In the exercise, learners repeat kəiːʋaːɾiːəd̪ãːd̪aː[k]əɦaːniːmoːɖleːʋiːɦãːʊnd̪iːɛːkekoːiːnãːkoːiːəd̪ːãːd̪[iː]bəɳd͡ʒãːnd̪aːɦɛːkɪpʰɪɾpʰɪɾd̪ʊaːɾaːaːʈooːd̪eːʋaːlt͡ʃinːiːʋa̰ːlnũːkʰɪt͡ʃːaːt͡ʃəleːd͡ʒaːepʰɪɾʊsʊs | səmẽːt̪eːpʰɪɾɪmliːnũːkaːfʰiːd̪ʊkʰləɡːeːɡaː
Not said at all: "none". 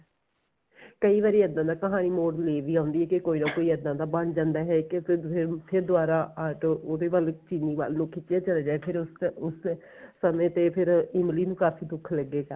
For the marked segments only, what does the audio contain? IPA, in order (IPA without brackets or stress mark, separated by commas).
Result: k, aː